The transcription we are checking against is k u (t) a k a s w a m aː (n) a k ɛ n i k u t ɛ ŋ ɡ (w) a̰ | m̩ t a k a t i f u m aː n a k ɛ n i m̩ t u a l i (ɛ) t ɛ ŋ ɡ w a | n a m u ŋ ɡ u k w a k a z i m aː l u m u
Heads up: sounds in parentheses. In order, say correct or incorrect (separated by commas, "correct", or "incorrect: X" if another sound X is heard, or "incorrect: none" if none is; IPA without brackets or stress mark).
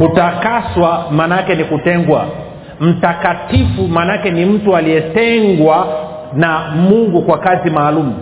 correct, correct, correct, correct